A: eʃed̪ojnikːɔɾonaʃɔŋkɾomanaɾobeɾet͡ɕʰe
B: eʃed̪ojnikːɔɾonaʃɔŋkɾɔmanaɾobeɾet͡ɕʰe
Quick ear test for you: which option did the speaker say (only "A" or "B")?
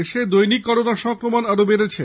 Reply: A